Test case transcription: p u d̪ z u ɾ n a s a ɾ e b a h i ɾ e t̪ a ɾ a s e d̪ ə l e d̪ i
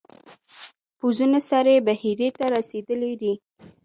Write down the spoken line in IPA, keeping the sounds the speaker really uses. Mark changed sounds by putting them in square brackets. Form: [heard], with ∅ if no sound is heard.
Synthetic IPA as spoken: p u [∅] z u [∅] n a s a ɾ e b a h i ɾ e t̪ a ɾ a s e d̪ ə l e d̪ i